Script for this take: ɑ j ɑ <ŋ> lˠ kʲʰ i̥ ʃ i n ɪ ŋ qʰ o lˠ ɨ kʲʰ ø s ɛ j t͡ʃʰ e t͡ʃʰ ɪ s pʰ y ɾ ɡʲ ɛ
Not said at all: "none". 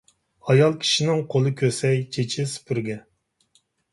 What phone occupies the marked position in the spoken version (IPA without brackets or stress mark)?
none